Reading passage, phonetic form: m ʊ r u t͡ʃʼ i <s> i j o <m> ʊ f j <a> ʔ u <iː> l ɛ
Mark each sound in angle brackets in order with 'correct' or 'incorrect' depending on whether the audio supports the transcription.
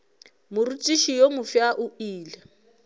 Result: incorrect: ʃ, correct, correct, correct

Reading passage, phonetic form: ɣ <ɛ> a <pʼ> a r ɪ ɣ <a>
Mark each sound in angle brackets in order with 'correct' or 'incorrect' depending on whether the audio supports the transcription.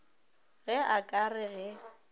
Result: correct, incorrect: kʼ, incorrect: ɛ

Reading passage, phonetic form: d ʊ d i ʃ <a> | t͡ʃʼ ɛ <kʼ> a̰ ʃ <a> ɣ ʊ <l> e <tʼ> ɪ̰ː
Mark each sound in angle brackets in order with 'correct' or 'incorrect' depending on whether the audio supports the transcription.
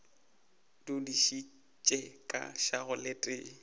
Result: incorrect: i, correct, correct, correct, correct

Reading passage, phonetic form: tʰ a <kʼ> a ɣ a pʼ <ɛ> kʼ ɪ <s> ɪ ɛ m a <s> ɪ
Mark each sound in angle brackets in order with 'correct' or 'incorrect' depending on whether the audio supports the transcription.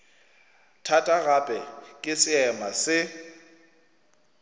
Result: incorrect: tʼ, correct, correct, correct

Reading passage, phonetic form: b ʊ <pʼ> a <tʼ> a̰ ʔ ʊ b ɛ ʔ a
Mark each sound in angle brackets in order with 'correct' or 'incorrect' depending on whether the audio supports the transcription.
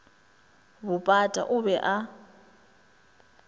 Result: correct, correct

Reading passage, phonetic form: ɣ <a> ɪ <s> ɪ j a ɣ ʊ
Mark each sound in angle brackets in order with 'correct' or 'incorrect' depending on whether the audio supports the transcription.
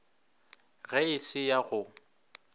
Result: incorrect: ɛ, correct

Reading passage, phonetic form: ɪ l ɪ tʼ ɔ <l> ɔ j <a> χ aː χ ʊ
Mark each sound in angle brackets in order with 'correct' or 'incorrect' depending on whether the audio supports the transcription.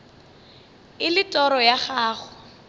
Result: incorrect: ɾ, correct

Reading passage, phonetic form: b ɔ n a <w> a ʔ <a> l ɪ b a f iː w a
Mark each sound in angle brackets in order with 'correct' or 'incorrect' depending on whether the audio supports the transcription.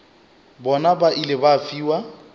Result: incorrect: b, incorrect: i

